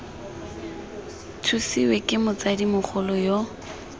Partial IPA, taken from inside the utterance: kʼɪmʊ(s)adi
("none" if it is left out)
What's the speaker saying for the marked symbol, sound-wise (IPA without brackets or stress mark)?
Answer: t͡s